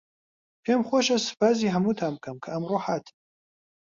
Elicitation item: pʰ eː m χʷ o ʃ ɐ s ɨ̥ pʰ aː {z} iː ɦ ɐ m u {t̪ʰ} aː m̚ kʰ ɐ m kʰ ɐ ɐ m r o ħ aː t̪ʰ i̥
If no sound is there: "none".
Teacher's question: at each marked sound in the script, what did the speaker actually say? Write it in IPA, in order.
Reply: z, t̪ʰ

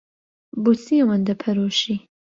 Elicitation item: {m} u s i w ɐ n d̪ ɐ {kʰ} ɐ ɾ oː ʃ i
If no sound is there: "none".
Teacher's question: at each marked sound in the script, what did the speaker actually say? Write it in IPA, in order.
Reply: b, pʰ

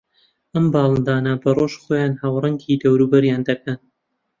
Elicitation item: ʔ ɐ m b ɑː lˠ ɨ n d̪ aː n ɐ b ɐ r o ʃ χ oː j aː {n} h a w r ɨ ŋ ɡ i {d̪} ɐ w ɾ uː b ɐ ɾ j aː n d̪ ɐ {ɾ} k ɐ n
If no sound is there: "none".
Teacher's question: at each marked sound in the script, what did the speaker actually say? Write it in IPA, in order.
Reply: n, d̪, none

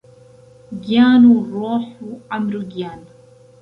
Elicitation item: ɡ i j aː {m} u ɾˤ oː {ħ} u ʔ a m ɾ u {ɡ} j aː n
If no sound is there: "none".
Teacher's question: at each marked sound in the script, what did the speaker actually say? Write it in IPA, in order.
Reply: n, ħ, ɡ

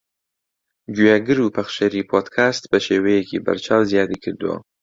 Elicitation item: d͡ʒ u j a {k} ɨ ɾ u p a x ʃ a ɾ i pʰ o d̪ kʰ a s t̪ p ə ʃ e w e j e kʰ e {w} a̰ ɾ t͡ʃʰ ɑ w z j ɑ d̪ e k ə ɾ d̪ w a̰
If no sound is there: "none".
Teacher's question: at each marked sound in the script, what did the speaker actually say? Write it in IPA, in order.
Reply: ɡ, b

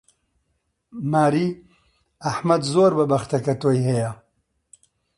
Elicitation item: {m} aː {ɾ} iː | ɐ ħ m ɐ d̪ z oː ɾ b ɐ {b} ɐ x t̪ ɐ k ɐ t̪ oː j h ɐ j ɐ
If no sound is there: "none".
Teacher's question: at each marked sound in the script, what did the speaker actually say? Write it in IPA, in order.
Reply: m, ɾ, b

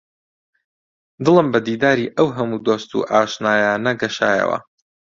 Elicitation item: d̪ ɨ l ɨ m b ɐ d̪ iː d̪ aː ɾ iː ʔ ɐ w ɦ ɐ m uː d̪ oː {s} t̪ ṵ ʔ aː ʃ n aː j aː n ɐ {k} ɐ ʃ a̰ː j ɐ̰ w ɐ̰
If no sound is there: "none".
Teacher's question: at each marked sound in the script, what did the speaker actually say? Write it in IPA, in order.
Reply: s, ɡ

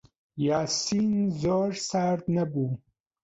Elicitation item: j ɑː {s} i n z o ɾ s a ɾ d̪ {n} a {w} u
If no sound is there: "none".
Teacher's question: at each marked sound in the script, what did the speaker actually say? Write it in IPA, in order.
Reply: s, n, b

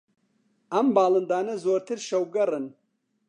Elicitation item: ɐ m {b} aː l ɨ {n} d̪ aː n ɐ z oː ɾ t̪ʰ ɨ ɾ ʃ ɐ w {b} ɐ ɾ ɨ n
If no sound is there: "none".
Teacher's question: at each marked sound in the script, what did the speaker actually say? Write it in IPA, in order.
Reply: b, n, ɡ

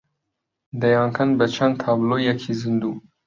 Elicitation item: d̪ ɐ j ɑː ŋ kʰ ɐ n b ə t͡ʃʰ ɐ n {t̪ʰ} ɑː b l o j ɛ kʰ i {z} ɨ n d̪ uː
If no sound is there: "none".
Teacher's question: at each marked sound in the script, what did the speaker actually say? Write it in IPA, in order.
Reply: t̪ʰ, z

